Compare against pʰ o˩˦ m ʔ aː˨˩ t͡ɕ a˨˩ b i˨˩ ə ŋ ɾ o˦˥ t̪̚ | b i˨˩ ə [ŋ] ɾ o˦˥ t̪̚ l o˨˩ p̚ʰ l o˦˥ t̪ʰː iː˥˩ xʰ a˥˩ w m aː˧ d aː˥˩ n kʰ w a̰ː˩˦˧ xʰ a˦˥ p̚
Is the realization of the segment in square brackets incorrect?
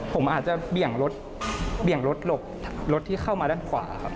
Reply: no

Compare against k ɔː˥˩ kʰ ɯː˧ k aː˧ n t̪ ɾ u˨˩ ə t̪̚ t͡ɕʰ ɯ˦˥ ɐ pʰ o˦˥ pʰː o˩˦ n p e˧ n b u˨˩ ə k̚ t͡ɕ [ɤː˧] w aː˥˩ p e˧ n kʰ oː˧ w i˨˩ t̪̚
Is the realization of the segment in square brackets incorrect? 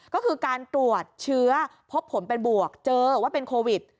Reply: no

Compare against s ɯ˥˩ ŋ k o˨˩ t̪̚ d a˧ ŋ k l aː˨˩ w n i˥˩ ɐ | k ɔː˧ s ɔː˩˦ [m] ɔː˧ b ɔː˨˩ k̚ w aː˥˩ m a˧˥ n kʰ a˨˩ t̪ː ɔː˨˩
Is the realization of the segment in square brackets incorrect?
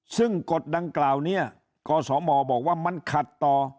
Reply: no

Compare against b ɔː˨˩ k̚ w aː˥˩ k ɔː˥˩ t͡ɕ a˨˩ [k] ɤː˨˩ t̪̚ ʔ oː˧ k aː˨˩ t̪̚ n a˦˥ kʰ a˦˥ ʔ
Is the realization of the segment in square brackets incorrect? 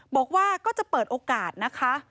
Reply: yes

